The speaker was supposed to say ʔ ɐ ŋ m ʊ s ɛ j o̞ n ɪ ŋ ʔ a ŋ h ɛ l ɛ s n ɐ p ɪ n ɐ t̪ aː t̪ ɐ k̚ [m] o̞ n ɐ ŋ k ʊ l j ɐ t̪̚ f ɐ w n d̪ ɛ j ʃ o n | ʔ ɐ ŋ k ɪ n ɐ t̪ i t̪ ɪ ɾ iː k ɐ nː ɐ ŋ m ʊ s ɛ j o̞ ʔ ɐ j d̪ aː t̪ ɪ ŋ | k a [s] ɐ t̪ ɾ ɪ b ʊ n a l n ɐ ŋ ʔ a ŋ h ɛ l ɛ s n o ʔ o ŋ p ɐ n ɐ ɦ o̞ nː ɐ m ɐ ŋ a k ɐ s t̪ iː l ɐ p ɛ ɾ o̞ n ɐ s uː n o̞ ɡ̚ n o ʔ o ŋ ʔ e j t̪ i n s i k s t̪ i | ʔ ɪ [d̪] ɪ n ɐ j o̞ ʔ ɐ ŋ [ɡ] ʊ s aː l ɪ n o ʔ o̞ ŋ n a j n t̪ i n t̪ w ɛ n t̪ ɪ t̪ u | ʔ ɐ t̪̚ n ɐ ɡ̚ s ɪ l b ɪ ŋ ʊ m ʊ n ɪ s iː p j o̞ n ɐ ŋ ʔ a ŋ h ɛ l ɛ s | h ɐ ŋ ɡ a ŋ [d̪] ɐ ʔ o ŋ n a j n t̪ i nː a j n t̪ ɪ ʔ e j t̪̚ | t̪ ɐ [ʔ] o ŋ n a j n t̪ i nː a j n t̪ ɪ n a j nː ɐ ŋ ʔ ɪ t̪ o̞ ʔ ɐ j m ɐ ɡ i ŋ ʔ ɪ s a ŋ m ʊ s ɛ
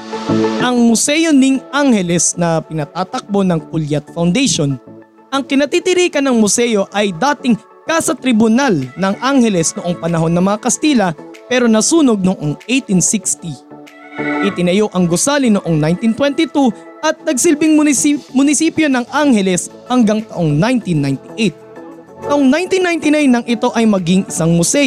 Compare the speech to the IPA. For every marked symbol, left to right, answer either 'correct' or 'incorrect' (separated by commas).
incorrect, correct, incorrect, correct, incorrect, correct